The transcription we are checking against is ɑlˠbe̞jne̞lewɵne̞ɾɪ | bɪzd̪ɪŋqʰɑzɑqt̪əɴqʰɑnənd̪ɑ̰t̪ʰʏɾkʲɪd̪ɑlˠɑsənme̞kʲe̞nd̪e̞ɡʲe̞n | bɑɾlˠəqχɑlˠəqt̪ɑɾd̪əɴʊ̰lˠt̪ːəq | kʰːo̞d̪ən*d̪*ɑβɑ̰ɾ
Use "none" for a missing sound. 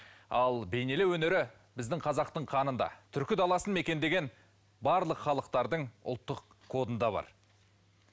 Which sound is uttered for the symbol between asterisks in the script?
d̪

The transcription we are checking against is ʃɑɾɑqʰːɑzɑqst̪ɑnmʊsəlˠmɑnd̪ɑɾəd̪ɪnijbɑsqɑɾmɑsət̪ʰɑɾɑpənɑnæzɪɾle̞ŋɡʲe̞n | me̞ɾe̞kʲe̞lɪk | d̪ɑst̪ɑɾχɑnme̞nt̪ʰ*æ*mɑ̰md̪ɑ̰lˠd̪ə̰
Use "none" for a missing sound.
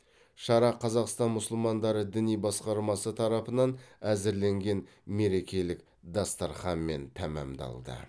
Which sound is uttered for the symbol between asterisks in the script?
æ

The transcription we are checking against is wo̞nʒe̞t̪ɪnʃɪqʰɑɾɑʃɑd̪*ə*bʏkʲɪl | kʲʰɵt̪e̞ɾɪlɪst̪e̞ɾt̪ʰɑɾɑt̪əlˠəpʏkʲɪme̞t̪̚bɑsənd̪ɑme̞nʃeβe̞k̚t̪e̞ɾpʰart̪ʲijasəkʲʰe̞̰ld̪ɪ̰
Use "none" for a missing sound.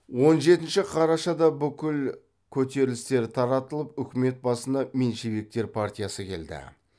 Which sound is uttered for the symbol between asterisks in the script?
ɑ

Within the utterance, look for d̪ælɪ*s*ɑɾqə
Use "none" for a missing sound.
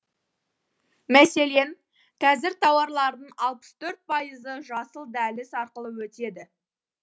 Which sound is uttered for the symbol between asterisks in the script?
s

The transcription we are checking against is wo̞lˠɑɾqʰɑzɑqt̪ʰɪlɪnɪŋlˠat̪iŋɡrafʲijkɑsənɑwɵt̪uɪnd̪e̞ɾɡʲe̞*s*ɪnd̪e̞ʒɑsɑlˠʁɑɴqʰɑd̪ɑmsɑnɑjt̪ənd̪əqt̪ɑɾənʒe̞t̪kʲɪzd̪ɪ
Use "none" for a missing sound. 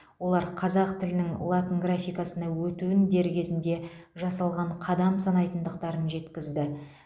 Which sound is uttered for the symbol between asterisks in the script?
z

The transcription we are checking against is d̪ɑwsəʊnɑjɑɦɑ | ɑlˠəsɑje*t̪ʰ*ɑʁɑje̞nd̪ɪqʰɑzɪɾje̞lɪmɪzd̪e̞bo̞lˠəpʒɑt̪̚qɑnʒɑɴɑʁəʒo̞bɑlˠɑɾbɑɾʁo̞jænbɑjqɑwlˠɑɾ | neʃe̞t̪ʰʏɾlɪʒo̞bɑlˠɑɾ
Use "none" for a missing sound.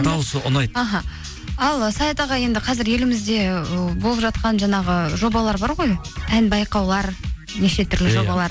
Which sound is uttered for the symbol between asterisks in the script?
t̪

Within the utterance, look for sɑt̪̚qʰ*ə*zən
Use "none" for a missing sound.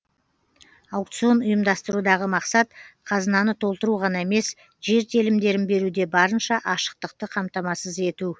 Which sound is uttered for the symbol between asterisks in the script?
ɑ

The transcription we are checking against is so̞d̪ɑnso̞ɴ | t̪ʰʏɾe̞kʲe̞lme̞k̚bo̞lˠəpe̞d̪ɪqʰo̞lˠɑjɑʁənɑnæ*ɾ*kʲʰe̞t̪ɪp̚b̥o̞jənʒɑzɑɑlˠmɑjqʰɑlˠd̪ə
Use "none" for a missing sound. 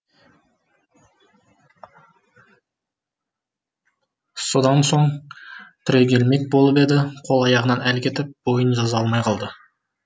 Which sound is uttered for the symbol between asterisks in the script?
l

